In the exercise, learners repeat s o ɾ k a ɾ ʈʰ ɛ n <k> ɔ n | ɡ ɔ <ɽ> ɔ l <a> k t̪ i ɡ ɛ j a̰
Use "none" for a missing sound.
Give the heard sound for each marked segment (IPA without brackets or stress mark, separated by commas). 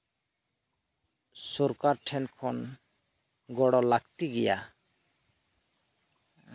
kʰ, ɽ, a